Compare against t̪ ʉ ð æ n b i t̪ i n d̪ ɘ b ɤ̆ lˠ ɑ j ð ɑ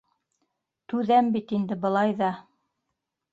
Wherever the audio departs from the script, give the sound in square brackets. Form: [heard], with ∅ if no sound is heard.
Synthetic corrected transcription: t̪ ʉ ð æ [m] b i t̪ i n d̪ ɘ b ɤ̆ lˠ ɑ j ð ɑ